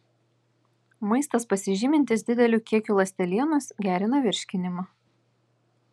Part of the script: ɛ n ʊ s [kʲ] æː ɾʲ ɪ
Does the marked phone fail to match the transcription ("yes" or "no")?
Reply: yes